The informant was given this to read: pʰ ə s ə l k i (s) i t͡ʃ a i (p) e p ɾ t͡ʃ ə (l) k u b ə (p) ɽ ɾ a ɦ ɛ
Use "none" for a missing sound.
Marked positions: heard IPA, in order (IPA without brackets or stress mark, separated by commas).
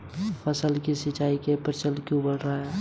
s, k, l, none